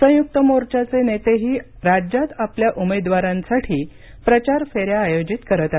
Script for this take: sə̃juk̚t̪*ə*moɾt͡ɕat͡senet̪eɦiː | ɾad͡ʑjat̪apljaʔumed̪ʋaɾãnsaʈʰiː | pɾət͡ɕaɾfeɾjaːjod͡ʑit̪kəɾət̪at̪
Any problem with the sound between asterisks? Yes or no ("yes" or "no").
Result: no